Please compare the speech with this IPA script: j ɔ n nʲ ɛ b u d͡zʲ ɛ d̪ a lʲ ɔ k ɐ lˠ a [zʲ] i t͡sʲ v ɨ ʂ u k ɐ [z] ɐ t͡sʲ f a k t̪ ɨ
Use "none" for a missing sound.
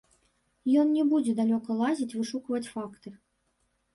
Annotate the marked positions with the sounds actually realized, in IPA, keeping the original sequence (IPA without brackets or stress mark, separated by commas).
zʲ, v